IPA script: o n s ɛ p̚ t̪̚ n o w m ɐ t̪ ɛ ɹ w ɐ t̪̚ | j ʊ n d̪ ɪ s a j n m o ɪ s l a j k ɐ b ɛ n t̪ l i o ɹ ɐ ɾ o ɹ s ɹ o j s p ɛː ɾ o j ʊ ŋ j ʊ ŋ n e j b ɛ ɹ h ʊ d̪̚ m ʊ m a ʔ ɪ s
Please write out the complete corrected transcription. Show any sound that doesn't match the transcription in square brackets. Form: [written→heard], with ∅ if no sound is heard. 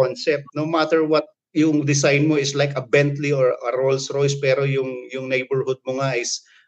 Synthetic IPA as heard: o n s ɛ p̚ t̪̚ n o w m [ɐ→a] t̪ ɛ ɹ w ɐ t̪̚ | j ʊ [n→ŋ] d̪ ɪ s a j n m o ɪ s l a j k ɐ b ɛ n t̪ l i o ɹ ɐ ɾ o [ɹ→l] s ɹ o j s p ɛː ɾ o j ʊ ŋ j ʊ ŋ n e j b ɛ ɹ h ʊ d̪̚ m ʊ [m→ŋ] a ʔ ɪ s